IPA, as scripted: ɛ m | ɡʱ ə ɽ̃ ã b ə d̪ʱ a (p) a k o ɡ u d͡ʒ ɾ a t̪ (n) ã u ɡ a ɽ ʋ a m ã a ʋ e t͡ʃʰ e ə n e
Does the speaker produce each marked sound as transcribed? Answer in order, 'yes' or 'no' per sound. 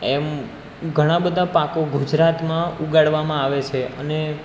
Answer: yes, no

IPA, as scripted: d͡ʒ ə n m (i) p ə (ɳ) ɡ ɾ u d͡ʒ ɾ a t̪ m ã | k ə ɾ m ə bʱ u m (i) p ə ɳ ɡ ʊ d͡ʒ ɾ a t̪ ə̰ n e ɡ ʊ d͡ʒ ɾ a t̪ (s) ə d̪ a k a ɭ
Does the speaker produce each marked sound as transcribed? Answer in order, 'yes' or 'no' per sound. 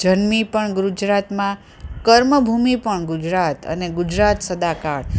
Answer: yes, yes, yes, yes

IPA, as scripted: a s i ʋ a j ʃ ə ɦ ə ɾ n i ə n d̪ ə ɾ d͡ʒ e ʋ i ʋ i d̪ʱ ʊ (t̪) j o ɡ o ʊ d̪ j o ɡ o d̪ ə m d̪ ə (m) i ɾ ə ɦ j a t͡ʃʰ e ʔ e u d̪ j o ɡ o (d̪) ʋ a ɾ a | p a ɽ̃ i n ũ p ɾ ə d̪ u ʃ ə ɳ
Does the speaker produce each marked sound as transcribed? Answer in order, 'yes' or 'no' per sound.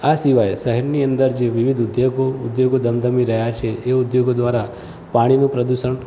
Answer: no, yes, yes

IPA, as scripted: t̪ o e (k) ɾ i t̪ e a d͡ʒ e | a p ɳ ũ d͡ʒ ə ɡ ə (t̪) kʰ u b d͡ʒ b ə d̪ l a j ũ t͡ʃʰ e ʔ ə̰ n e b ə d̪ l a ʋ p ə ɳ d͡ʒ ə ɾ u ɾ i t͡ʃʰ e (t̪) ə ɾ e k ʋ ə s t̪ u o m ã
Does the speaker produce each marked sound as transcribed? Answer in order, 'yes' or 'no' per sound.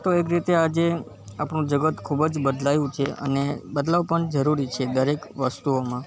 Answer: yes, yes, no

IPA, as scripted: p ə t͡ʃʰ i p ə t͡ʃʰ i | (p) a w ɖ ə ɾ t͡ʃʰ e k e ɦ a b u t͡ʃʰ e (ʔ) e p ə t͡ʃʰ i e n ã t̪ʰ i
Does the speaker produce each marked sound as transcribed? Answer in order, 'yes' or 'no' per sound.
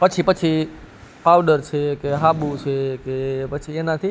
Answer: yes, no

